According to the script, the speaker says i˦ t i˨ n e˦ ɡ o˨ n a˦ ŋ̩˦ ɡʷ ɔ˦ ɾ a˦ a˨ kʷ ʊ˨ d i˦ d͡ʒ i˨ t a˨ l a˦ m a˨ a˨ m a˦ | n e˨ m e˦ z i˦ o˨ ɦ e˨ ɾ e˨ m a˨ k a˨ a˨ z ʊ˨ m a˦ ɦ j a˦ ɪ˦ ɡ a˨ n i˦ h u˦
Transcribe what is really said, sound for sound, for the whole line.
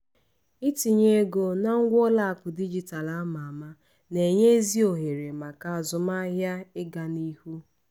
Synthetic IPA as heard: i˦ t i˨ ɲ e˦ ɡ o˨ n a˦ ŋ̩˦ ɡʷ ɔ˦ l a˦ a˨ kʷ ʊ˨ d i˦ d͡ʒ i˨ t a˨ l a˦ m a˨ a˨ m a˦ | n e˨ ɲ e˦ z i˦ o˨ ɦ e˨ ɾ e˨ m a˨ k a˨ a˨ z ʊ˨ m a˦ ɦ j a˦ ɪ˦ ɡ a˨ n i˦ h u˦